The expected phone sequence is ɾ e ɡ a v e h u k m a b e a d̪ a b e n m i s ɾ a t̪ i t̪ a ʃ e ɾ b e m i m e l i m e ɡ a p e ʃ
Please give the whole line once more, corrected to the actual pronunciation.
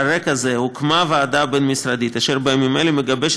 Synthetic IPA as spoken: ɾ e k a z e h u k m a v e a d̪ a b e n m i s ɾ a d̪ i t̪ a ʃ e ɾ b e m i m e l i m e ɡ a b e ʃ